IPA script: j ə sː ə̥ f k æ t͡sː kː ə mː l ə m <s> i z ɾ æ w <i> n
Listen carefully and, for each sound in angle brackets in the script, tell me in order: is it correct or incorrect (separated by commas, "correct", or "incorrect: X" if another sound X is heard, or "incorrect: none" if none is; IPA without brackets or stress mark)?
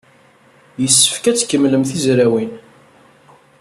incorrect: θ, correct